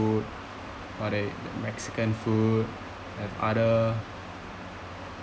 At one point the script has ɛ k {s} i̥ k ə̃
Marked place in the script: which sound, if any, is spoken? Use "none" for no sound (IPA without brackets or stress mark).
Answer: s